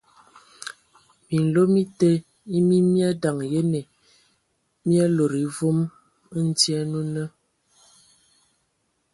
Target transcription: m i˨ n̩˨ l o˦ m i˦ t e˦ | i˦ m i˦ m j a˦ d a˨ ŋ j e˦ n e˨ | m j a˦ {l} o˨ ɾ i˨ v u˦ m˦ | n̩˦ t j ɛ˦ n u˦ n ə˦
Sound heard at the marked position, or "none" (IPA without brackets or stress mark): l